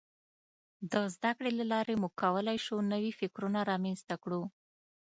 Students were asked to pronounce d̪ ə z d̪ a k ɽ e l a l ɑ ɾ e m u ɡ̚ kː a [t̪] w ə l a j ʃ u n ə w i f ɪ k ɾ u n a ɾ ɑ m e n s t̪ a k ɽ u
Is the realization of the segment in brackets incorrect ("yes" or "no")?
yes